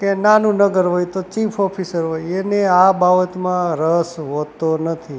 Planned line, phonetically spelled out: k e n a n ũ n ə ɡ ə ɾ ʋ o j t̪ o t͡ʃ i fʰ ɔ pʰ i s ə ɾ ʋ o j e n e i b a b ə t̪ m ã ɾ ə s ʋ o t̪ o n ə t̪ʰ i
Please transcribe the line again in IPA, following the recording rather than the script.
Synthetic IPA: k e n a n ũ n ə ɡ ə ɾ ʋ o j t̪ o t͡ʃ i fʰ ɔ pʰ i s ə ɾ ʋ o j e n e a b a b ə t̪ m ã ɾ ə s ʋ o t̪ o n ə t̪ʰ i